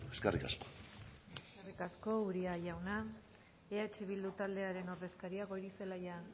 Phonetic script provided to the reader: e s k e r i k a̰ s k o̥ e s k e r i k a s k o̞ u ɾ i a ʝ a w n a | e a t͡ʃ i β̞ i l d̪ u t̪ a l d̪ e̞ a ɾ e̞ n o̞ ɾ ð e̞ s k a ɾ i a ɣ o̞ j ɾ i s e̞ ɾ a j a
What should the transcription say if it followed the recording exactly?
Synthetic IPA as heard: e s k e r i k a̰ s k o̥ e s k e r i k a s k o̞ u ɾ i a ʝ a w n a | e a t͡ʃ i β̞ i l d̪ u t̪ a l d̪ e̞ a ɾ e̞ n o̞ ɾ ð e̞ s k a ɾ i a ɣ o̞ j ɾ i s e̞ l a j a